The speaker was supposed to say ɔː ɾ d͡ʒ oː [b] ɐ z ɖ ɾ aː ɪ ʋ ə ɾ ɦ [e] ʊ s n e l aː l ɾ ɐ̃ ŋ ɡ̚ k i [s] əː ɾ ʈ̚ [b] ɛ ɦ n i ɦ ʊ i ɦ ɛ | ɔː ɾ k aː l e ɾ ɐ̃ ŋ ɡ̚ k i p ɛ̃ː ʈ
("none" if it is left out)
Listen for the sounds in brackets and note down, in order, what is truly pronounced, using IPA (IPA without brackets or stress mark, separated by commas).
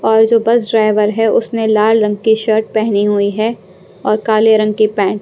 b, ɛ, ʃ, p